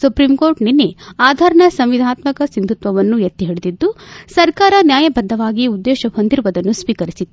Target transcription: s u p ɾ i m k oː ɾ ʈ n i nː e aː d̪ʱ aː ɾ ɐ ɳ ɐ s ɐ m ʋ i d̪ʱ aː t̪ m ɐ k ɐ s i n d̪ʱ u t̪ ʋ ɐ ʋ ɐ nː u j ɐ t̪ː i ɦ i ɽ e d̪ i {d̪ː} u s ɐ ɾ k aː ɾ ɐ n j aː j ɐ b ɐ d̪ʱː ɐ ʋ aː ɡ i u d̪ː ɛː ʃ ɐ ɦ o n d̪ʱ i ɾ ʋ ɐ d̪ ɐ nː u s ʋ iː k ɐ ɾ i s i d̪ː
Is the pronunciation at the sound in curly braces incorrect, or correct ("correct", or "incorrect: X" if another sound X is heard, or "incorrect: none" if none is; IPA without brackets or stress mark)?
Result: correct